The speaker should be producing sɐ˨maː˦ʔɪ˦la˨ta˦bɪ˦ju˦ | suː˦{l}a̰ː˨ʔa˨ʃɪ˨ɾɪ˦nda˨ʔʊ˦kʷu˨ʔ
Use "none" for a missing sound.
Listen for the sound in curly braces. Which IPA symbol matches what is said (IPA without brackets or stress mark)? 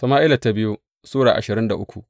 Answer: ɽ